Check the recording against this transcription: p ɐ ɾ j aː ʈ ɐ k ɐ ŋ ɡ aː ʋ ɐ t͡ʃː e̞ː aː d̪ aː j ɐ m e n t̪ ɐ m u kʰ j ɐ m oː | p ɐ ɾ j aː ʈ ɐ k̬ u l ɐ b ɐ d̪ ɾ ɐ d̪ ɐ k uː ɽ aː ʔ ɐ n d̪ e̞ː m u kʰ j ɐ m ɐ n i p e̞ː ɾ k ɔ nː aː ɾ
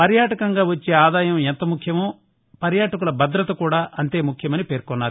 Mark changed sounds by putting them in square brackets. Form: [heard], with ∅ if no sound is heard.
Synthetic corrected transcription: p ɐ ɾ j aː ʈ ɐ k ɐ ŋ ɡ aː ʋ ɐ t͡ʃː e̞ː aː d̪ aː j ɐ m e n t̪ ɐ m u kʰ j ɐ m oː | p ɐ ɾ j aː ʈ ɐ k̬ u l ɐ b ɐ d̪ ɾ ɐ [t̪] ɐ k uː ɽ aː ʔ ɐ n [t̪] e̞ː m u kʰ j ɐ m ɐ n i p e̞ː ɾ k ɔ nː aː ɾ